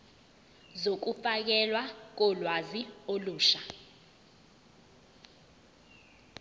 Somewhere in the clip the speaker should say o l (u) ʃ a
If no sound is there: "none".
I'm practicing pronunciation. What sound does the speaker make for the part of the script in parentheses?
uː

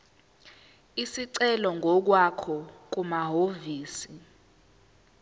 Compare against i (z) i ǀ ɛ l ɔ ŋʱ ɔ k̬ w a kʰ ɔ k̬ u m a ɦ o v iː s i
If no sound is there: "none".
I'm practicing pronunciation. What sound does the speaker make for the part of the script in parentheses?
s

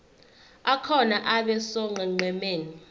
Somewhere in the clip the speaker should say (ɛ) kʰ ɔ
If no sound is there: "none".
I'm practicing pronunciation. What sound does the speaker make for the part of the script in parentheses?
a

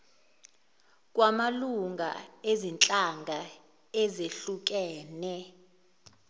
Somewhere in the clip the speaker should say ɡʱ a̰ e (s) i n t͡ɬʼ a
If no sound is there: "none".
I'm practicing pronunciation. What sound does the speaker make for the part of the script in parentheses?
z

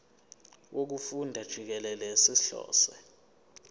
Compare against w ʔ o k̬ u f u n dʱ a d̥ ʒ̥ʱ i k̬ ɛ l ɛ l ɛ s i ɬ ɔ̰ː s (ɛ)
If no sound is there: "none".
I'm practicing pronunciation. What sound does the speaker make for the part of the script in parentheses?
ɛ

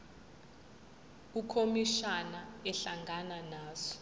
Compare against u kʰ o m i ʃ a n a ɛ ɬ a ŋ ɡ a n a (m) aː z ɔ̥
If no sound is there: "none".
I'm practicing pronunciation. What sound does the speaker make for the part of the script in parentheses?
n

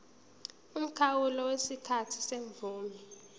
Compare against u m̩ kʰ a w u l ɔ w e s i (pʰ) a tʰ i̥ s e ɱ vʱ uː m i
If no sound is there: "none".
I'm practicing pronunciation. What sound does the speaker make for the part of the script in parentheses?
kʰ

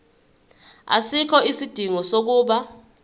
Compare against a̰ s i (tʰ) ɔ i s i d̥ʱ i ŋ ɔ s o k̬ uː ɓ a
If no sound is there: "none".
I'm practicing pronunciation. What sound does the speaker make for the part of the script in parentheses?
kʰ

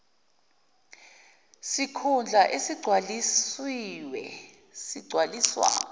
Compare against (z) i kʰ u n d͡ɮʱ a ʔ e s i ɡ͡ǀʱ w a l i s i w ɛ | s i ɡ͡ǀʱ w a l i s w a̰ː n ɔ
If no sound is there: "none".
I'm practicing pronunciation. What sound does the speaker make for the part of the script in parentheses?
s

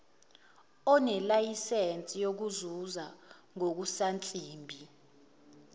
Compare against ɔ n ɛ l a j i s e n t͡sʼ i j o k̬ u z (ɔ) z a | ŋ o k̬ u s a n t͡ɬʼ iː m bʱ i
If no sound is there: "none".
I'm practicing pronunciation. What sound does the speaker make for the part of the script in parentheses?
u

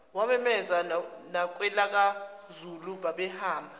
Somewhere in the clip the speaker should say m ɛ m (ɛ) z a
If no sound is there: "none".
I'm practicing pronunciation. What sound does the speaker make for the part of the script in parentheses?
ɛ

